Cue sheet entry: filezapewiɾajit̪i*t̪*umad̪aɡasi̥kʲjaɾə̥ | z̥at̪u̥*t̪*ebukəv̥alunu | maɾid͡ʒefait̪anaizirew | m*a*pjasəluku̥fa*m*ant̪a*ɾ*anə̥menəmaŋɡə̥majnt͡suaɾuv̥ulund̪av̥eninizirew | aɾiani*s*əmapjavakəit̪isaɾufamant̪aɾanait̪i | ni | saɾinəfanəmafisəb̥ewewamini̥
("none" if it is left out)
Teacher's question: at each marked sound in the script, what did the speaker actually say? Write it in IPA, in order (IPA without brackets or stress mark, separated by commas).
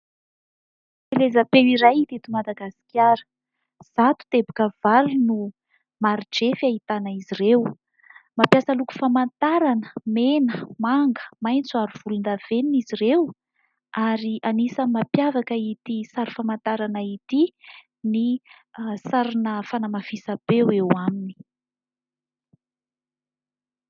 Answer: t̪, t̪, a, m, ɾ, s